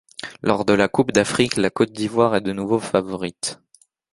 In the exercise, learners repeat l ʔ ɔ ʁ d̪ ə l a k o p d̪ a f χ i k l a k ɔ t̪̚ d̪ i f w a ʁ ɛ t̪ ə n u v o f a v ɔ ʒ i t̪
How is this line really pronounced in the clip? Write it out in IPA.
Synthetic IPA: l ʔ ɔ ʁ d̪ ə l a k u p d̪ a f χ i k l a k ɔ t̪̚ d̪ i v w a ʁ ɛ d̪ ə n u v o f a v ɔ ʁ i t̪